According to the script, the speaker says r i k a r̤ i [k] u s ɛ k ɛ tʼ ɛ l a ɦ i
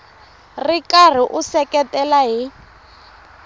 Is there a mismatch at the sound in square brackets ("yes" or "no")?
yes